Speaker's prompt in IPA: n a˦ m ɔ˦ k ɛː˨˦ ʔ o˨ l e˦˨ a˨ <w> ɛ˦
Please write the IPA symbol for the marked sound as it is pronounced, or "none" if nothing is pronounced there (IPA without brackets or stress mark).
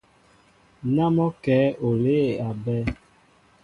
b